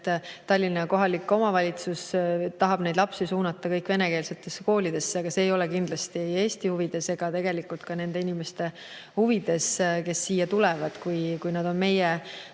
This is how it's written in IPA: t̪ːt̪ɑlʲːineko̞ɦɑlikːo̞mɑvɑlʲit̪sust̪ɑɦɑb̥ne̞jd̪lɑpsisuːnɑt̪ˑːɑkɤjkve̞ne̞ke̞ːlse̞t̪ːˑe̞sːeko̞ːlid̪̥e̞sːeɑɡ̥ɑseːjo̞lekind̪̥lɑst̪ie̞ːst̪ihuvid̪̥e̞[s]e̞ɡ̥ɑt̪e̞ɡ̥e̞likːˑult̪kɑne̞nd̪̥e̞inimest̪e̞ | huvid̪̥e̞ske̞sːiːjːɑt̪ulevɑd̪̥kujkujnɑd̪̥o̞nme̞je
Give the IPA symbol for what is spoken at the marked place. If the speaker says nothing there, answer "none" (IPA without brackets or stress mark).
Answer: s